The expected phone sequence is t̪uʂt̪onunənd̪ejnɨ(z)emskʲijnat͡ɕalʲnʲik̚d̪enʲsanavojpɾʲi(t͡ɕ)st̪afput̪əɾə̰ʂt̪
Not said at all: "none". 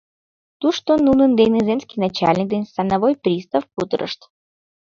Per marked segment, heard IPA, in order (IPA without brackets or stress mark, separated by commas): z, none